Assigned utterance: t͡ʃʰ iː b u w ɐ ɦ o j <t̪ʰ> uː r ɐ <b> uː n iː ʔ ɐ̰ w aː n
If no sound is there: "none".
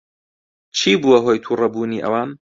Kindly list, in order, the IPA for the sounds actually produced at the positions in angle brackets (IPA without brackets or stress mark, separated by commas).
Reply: t̪ʰ, b